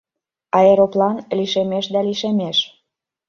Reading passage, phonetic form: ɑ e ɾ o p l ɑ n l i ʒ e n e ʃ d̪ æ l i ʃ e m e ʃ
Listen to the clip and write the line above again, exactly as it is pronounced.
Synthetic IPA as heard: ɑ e ɾ o p l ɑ n l i ʃ e m e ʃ d̪ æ l i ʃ e m e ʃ